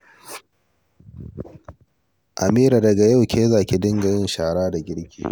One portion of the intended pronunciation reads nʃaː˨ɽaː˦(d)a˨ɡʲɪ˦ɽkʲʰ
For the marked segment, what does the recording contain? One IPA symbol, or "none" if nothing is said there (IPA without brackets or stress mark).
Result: d